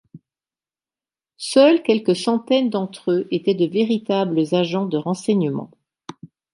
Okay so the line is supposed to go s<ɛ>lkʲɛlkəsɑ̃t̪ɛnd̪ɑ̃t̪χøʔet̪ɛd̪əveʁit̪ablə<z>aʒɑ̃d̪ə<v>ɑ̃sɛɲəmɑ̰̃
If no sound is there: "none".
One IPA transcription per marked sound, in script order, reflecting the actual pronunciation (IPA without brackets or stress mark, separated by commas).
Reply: œ, z, ʁ